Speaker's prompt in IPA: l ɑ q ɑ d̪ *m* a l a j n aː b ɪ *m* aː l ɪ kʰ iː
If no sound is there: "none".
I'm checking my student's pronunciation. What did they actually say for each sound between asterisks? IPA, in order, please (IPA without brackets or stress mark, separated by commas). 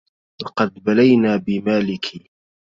b, m